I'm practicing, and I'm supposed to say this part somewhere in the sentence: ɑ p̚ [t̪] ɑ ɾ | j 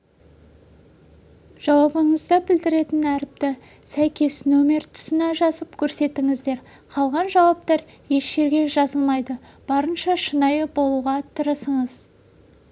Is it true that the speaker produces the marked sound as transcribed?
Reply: yes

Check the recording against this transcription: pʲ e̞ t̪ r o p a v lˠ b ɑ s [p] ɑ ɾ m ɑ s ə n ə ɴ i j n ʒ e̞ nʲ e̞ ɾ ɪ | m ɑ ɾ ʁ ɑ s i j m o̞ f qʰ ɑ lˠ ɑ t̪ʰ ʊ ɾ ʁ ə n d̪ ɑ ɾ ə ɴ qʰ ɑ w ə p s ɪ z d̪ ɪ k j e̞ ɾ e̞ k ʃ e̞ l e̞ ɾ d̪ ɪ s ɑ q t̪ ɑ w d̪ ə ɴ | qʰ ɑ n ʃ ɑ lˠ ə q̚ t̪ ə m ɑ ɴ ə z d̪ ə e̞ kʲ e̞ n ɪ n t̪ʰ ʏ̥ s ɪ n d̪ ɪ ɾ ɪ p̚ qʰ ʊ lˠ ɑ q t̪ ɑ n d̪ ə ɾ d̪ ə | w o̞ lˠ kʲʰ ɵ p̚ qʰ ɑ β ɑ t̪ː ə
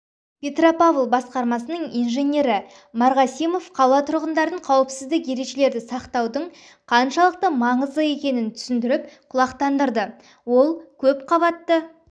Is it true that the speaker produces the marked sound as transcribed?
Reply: no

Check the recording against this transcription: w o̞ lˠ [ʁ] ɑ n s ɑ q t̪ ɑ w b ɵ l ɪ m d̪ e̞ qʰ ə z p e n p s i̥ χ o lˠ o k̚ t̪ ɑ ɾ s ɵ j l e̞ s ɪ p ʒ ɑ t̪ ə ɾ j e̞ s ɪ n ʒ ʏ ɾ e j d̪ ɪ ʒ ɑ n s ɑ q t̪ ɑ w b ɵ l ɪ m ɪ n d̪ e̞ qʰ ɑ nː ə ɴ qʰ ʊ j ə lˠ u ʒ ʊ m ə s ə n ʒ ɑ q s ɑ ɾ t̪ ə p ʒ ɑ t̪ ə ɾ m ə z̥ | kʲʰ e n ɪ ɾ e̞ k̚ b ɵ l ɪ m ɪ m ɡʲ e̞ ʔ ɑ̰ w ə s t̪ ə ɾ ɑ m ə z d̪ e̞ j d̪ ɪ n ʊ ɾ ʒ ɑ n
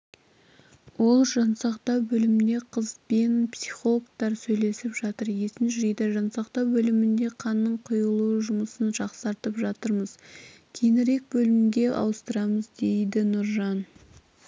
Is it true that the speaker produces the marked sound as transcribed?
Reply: no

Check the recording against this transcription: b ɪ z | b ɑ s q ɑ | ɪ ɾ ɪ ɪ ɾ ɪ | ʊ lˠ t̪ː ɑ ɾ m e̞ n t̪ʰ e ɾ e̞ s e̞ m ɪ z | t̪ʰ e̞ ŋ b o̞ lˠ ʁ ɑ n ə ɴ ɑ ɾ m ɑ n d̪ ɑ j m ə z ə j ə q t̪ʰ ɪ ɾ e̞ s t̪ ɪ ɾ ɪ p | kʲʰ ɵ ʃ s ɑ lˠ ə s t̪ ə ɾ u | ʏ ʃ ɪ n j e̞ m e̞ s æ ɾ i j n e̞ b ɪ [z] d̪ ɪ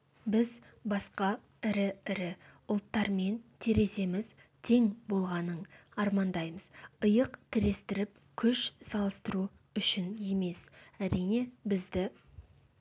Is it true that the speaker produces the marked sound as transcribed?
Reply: yes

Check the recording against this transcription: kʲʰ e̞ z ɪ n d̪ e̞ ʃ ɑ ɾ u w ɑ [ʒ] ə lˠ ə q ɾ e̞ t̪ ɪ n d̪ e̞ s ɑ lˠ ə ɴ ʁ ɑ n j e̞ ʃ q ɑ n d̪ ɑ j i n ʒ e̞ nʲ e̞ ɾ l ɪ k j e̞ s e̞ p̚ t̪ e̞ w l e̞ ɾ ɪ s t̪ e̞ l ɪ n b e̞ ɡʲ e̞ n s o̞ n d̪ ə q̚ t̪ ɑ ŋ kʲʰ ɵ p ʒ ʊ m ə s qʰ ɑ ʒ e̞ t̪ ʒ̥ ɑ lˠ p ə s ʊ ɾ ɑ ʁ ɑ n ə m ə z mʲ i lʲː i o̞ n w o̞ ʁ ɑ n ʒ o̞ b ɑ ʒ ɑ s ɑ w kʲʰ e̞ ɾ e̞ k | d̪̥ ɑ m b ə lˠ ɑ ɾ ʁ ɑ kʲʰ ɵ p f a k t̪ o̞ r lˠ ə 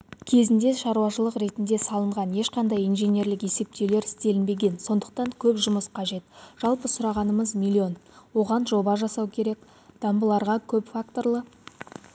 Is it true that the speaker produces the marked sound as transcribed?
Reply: no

